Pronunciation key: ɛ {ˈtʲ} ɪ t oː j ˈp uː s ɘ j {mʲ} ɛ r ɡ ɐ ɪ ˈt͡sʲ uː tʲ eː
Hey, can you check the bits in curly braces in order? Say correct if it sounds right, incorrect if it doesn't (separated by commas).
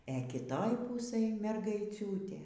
incorrect, correct